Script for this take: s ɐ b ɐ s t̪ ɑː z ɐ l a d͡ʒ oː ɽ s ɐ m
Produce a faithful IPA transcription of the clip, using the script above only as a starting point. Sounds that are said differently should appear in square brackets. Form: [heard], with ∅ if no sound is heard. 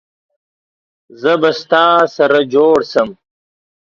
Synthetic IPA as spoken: [z] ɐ b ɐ s t̪ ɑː [s] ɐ [ɾ] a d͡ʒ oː ɽ s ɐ m